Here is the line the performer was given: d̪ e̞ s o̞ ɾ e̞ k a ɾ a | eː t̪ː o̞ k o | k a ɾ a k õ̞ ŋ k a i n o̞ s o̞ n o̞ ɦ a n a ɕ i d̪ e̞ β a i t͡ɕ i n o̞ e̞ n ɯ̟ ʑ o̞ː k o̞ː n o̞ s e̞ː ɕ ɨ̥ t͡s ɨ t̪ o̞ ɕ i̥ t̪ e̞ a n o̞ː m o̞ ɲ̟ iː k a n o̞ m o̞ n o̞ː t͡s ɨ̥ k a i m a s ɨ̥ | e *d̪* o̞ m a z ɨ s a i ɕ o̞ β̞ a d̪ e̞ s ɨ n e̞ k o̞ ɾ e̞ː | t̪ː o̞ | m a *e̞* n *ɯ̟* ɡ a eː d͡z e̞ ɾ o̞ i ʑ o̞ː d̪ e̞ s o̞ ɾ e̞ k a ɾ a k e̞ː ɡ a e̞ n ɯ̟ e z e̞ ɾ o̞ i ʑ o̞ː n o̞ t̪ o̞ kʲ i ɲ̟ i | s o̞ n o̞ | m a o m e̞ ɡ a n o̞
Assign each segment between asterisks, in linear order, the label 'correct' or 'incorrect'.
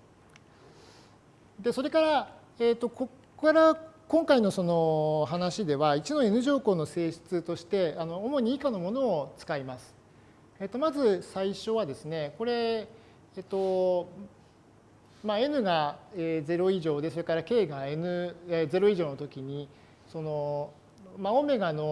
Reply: incorrect, correct, correct

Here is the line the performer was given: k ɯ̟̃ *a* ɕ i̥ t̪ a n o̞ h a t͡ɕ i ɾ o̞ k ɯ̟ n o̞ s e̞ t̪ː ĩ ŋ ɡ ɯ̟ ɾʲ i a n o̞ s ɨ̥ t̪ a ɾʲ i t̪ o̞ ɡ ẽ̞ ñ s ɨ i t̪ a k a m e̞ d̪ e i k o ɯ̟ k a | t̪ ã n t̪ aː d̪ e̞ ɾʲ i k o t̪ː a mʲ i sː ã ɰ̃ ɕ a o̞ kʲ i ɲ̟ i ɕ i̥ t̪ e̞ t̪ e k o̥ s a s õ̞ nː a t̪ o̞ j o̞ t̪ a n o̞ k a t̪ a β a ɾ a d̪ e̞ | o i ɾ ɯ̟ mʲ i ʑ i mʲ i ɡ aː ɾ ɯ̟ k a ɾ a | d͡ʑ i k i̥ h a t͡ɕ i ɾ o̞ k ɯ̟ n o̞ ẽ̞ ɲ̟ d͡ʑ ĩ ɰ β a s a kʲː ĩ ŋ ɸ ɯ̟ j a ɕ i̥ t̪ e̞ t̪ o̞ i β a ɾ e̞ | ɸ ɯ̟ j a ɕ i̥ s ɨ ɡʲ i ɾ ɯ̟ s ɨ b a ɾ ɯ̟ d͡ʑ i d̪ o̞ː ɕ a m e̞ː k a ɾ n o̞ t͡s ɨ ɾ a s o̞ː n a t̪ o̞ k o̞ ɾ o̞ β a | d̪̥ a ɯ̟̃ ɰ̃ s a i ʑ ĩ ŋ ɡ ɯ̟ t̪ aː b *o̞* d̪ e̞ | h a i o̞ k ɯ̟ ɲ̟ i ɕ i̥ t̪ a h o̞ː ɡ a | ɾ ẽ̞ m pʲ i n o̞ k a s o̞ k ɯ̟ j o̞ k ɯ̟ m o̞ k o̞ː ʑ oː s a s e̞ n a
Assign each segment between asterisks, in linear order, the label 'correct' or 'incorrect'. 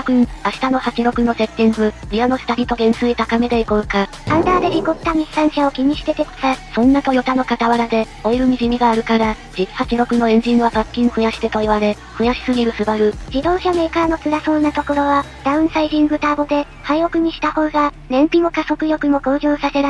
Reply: correct, correct

